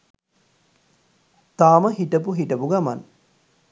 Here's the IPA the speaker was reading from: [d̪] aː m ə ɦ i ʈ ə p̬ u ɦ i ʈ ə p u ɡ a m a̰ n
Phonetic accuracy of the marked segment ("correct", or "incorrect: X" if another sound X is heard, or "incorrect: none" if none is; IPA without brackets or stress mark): incorrect: t̪